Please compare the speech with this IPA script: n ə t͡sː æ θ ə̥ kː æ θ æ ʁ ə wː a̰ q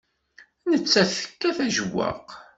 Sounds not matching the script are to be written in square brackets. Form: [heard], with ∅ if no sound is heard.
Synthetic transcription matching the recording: n ə t͡sː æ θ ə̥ kː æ θ æ [ʒ] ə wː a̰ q